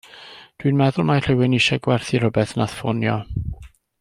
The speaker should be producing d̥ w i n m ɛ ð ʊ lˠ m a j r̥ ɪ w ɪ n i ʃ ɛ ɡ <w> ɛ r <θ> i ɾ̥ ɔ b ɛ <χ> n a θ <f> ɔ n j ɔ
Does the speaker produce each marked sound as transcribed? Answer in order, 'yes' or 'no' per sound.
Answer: yes, yes, no, yes

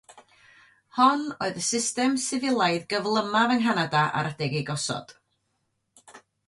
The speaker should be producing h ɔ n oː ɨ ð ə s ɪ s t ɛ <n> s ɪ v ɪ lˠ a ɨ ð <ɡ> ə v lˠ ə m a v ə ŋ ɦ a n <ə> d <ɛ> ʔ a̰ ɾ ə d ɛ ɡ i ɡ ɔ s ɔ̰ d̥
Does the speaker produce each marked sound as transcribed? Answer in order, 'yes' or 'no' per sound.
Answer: no, yes, no, no

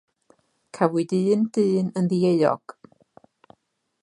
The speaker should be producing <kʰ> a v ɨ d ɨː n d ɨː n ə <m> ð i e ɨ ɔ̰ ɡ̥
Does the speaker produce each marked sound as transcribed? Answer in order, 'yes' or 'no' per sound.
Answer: yes, no

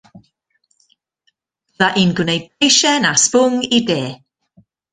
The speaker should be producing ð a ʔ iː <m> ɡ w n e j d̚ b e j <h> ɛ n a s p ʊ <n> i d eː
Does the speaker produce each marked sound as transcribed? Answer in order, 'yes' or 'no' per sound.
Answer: no, no, no

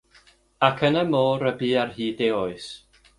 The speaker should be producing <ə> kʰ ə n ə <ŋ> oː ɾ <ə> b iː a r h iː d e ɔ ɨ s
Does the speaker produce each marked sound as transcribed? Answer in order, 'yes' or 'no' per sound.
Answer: no, no, yes

